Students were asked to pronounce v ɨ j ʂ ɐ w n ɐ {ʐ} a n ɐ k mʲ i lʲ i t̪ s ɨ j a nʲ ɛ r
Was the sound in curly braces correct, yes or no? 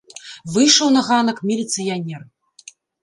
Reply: no